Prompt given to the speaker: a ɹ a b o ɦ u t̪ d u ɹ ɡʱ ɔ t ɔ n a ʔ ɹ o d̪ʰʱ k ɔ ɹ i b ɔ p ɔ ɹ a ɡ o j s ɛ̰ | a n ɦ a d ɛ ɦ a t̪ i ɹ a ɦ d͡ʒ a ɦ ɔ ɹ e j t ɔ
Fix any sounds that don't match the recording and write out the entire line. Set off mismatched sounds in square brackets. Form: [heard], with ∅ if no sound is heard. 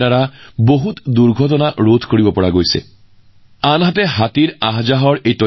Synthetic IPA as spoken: a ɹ a b o ɦ u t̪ d u ɹ ɡʱ ɔ t ɔ n a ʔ ɹ o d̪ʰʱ k [o] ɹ i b ɔ p ɔ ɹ a ɡ o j s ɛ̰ | a n ɦ a [t] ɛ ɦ a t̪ i ɹ a ɦ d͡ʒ a ɦ ɔ ɹ e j t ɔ